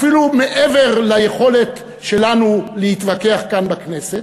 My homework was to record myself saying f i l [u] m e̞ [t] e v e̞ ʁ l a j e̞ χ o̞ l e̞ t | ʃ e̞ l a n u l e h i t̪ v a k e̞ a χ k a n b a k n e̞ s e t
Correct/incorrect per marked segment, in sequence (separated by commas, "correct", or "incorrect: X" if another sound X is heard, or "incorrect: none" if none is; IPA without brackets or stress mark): correct, incorrect: ʔ